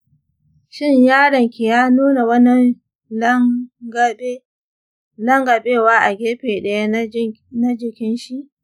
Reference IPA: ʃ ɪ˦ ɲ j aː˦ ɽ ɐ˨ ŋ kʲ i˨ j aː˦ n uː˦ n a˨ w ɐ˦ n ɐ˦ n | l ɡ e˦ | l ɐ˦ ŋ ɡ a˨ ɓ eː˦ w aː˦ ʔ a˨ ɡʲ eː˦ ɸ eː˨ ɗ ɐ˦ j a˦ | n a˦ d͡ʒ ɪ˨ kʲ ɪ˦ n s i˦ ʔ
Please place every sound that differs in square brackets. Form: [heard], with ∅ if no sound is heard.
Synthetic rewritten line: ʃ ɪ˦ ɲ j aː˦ ɽ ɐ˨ ŋ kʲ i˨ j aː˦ n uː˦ n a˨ w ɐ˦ n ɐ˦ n | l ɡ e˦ | l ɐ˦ ŋ ɡ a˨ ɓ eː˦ w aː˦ ʔ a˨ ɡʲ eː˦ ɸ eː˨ ɗ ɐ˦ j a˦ | n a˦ d͡ʒ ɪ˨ kʲ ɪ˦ n [ʃ] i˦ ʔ